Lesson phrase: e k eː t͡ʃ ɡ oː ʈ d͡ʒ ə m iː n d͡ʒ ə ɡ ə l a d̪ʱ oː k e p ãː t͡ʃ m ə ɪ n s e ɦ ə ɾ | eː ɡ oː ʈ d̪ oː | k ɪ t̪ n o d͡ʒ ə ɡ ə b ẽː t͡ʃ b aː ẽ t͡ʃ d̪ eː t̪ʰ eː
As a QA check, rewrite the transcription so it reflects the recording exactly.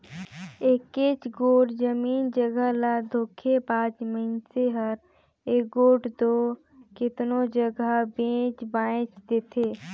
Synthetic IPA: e k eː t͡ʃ ɡ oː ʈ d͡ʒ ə m iː n d͡ʒ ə ɡ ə l a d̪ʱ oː kʰ e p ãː t͡ʃ m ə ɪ n s e ɦ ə ɾ | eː ɡ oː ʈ d̪ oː | k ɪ t̪ n o d͡ʒ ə ɡ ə b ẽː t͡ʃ b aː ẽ t͡ʃ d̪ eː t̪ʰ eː